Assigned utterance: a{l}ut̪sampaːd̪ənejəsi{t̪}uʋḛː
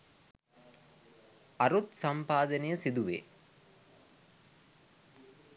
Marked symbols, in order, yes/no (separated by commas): no, no